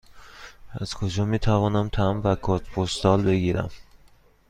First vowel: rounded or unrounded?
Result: unrounded